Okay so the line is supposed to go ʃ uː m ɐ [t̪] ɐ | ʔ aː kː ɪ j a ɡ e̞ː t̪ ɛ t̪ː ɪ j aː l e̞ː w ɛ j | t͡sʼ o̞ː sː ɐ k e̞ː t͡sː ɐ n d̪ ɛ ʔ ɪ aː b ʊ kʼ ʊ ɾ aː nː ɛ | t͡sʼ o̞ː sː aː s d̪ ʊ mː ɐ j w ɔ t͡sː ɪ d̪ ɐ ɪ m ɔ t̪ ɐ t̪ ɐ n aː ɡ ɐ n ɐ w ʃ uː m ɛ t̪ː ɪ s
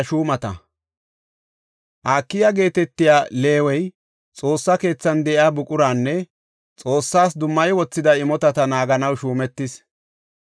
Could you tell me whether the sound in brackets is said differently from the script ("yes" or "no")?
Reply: no